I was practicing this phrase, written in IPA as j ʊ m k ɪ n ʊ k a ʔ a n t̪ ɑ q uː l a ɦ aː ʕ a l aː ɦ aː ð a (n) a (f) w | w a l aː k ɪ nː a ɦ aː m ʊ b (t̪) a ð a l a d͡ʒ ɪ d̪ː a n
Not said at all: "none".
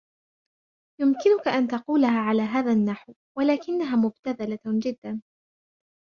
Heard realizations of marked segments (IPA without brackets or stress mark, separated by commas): nː, ħ, t̪